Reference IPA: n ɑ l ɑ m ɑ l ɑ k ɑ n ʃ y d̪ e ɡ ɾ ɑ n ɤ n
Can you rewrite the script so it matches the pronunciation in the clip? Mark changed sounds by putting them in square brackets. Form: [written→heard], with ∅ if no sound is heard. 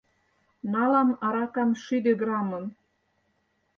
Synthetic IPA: n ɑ l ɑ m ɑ [l→ɾ] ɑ k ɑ [n→m] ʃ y d̪ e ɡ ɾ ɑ [n→m] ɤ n